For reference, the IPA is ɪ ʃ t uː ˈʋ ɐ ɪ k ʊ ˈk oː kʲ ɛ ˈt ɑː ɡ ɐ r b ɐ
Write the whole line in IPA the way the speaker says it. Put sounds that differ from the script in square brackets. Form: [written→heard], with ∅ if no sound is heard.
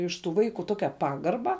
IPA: ɪ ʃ t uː ˈʋ ɐ ɪ k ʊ [ˈk→ˈt] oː kʲ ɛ [ˈt→ˈp] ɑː ɡ ɐ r b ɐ